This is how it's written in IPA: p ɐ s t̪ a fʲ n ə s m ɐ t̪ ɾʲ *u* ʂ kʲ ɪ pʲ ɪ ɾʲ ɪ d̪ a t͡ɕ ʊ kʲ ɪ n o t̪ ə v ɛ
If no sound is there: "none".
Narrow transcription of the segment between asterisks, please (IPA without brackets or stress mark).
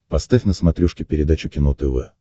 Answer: u